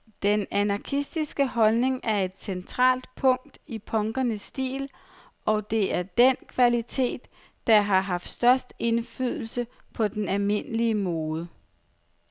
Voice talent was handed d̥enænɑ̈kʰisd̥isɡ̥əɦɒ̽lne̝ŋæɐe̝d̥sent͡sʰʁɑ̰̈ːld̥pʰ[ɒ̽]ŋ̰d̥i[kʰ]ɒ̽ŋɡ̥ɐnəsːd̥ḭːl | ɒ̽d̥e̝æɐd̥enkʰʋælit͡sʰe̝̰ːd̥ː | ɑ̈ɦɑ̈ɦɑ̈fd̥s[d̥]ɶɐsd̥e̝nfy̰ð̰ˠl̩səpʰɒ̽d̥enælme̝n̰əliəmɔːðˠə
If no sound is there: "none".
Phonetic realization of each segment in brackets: ɔ̽, pʰ, d̥

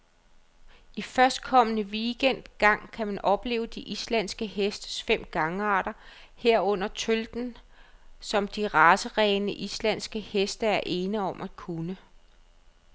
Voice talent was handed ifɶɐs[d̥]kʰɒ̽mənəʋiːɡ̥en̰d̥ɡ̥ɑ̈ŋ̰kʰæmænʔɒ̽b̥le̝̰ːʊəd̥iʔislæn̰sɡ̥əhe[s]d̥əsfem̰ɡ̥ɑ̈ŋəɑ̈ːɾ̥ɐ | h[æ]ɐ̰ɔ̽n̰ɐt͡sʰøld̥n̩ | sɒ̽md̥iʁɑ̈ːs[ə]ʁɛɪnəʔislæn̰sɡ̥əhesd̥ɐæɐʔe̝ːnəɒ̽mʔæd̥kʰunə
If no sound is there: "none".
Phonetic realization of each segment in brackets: d̥, s, e, ə

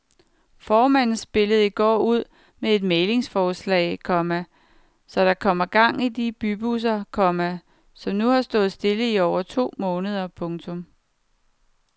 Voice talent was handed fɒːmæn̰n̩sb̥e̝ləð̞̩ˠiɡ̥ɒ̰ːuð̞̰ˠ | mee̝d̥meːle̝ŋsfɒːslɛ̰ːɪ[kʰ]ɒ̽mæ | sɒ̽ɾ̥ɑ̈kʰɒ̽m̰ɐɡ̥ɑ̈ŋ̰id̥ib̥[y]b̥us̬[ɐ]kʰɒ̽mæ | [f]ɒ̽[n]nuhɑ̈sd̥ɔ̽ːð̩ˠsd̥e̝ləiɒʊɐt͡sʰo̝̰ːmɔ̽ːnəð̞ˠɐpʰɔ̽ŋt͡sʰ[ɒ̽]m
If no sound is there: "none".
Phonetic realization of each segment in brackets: kʰ, y, ɐ, s, m, ɔ̽

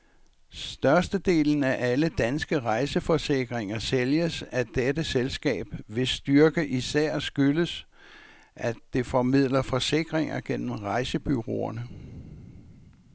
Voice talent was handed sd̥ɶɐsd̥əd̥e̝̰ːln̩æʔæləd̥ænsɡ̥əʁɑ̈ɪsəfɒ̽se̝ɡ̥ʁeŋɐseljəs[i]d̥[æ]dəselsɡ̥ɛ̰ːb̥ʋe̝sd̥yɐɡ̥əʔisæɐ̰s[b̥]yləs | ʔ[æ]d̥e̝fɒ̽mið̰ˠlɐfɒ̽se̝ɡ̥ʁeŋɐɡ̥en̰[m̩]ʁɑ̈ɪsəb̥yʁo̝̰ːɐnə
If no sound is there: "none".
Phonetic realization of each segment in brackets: æ, e, ɡ̥, æ, m̩

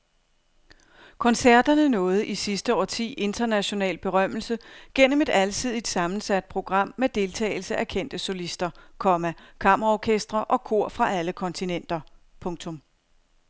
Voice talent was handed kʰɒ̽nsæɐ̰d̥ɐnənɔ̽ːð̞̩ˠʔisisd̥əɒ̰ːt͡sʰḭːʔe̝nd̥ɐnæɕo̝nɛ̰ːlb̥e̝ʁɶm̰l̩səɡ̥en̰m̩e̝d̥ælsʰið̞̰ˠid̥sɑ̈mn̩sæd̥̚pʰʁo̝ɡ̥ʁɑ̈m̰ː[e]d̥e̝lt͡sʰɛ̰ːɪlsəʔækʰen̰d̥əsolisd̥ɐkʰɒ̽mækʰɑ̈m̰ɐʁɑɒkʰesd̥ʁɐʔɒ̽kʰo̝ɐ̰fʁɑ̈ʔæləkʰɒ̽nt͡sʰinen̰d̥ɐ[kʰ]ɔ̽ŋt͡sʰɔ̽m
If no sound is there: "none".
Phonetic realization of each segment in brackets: e, pʰ

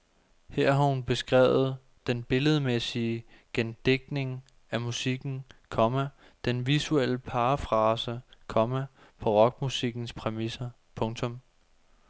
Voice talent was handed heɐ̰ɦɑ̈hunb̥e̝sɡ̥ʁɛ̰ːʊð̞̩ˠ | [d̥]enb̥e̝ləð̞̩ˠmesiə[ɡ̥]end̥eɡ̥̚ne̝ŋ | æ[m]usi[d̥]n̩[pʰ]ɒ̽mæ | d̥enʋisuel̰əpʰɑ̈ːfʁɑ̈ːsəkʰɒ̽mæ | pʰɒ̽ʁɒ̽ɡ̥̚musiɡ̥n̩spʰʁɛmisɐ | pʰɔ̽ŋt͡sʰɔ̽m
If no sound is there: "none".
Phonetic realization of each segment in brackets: d̥, ɡ̥, m, ɡ̥, kʰ

